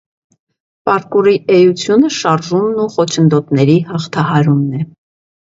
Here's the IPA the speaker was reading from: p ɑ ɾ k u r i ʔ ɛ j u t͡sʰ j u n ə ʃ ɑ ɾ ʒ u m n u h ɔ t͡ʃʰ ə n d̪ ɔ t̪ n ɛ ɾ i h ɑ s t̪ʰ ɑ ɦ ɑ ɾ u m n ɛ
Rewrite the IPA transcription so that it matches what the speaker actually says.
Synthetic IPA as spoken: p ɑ ɾ k u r i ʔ ɛ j u t͡sʰ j u n ə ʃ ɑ ɾ ʒ u m n u χ ɔ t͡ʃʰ ə n d̪ ɔ t̪ n ɛ ɾ i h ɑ χ t̪ʰ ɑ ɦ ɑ ɾ u m n ɛ